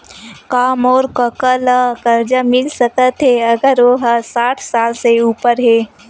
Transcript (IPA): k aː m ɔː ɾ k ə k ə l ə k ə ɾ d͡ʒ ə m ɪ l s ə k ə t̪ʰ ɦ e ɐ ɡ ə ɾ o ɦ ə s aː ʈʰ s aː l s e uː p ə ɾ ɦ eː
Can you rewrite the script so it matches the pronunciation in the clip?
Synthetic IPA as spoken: k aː m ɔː ɾ k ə k ə l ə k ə ɾ d͡ʒ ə m ɪ l s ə k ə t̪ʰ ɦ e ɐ ɡ ə ɾ o ɦ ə s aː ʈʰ s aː l s e uː p ə ɾ ɦ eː